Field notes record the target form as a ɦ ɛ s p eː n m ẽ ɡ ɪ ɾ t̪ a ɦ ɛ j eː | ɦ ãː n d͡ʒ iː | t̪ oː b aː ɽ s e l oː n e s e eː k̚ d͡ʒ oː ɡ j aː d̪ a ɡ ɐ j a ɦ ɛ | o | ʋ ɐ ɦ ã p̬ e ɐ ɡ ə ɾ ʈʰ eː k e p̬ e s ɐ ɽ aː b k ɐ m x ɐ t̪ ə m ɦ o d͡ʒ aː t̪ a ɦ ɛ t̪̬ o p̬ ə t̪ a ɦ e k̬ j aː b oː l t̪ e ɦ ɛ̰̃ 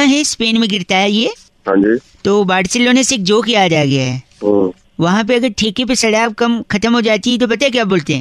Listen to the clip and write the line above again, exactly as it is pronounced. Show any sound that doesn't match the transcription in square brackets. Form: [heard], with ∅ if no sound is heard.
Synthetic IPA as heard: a ɦ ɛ s p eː n m ẽ ɡ ɪ ɾ t̪ a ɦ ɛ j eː | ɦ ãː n d͡ʒ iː | t̪ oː b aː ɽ s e l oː n e s e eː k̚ d͡ʒ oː [k] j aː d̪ a ɡ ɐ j a ɦ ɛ | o | ʋ ɐ ɦ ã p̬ e ɐ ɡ ə ɾ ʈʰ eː k e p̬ e s ɐ ɽ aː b k ɐ m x ɐ t̪ ə m ɦ o d͡ʒ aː t̪ [i] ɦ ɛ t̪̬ o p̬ [ɐ] t̪ a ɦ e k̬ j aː b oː l t̪ e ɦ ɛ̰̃